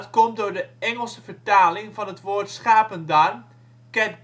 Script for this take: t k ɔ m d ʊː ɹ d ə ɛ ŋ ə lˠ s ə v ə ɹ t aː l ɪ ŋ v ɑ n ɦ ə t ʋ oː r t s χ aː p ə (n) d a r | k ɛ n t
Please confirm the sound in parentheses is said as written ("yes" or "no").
yes